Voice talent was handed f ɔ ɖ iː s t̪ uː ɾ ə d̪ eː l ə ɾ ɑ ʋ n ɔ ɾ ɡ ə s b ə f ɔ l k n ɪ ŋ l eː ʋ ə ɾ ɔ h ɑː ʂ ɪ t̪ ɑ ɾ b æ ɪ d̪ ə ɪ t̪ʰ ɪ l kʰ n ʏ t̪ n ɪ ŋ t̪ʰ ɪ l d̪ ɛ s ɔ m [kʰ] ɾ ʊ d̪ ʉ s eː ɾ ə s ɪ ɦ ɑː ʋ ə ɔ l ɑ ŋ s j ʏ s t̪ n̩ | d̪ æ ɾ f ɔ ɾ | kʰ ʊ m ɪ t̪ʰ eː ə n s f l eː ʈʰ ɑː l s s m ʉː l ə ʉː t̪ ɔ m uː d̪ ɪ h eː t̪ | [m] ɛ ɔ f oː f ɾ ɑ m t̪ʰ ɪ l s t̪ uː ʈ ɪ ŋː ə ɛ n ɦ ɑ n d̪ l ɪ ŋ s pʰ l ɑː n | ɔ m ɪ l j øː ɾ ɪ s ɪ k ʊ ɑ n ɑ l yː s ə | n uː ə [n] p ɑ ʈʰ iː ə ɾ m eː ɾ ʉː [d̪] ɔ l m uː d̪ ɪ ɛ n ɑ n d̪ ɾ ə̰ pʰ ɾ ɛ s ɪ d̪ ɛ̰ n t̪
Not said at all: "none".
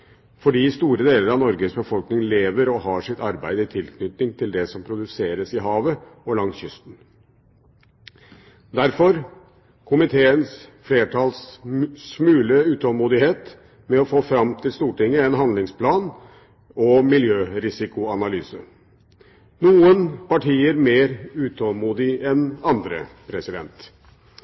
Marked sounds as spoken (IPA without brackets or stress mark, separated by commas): pʰ, m, n, t̪